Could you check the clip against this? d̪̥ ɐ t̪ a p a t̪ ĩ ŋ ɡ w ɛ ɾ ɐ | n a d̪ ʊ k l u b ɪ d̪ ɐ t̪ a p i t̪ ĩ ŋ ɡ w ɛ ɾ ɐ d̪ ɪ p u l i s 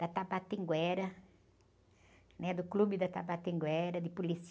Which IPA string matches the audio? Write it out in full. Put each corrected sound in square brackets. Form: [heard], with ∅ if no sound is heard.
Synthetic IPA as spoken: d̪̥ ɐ t̪ a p a t̪ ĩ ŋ ɡ w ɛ ɾ ɐ | n [ɛ] d̪ ʊ k l u b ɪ d̪ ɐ t̪ a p [a] t̪ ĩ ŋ ɡ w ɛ ɾ ɐ d̪ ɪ p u l i s